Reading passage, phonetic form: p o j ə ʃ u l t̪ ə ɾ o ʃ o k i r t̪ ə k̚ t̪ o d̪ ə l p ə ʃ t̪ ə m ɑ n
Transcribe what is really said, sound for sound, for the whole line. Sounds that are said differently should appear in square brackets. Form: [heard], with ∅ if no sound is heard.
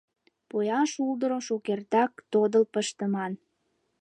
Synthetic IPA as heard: p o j [ɑ] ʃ u l [d̪] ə ɾ o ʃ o k [e] r t̪ [ɑ] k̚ t̪ o d̪ ə l p ə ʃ t̪ ə m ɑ n

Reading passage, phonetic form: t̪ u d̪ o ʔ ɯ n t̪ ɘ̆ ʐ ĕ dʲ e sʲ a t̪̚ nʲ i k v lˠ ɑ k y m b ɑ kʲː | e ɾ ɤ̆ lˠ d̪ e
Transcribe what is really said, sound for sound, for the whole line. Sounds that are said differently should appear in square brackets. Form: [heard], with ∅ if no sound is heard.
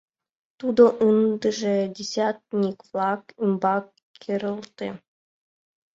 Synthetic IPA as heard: t̪ u d̪ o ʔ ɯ n [d̪] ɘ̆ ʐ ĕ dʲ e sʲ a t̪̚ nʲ i k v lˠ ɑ k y m b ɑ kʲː | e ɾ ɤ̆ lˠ [t̪] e

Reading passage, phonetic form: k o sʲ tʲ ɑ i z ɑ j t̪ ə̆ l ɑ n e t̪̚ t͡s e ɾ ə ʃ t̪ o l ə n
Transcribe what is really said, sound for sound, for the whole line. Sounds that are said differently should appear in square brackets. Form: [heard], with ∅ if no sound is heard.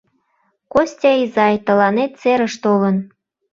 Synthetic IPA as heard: k o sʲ tʲ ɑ i z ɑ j t̪ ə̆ l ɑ n e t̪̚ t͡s e ɾ ə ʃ t̪ o l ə n

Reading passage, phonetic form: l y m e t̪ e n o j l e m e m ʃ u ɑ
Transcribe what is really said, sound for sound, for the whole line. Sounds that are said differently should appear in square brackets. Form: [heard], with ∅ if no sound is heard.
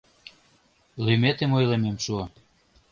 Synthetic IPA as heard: l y m e t̪ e [m] o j l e m e m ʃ u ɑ

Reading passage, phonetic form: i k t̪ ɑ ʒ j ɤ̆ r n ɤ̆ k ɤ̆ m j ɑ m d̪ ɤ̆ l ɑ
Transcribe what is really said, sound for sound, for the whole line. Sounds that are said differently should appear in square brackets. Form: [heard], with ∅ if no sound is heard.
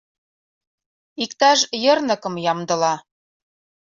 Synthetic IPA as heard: i k t̪ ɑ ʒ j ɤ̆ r n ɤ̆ k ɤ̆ m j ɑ m d̪ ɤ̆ l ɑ

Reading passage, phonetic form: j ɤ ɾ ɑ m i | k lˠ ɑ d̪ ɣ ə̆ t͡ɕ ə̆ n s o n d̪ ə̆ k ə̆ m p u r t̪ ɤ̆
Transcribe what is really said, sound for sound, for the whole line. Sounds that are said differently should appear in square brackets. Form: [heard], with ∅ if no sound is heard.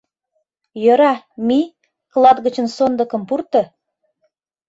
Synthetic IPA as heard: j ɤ ɾ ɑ m i | k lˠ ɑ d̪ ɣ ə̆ t͡ɕ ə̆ n s o n d̪ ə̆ k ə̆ m p u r t̪ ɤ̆

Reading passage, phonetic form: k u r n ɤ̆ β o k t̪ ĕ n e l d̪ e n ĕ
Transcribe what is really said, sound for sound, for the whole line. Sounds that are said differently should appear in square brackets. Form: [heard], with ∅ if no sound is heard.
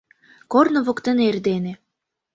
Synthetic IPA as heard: k [o] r n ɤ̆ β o k t̪ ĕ n e [r] d̪ e n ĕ

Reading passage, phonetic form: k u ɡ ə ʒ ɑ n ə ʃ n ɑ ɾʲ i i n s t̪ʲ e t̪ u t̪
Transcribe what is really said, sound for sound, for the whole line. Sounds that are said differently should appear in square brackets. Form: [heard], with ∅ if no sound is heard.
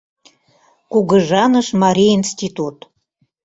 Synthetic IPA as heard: k u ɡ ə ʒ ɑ n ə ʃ [m] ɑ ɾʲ i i n s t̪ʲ [i] t̪ u t̪

